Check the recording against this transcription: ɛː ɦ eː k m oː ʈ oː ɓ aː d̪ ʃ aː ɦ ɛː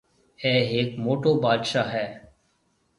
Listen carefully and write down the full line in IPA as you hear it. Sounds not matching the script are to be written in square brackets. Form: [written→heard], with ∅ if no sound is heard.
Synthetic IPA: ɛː ɦ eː k m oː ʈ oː [ɓ→b] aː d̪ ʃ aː ɦ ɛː